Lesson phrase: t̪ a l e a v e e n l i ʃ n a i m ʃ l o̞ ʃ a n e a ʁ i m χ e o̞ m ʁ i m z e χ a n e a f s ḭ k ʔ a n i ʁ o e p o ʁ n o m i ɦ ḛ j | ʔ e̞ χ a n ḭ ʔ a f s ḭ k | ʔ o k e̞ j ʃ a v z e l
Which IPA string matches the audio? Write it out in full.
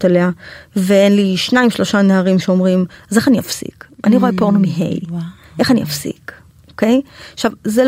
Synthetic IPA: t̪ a l e a v e e n l i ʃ n a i m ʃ l o̞ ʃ a n e a ʁ i m ʃ e o̞ m ʁ i m z e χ a n i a f s ḭ k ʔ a n i ʁ o e p o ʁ n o m i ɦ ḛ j | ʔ e̞ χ a n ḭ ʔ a f s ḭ k | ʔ o k e̞ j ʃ a v z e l